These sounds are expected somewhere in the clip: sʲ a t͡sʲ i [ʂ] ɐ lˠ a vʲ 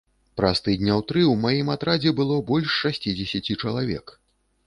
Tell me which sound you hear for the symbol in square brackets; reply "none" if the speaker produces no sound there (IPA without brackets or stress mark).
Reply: t͡ʂ